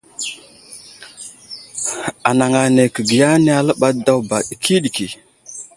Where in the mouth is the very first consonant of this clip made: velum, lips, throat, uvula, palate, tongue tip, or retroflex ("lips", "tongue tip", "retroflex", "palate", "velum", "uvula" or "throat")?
tongue tip